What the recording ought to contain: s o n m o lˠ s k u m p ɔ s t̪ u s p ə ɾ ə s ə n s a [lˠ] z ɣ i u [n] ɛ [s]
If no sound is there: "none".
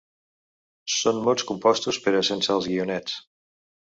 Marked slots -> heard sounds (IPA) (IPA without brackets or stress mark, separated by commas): lˠ, n, t͡s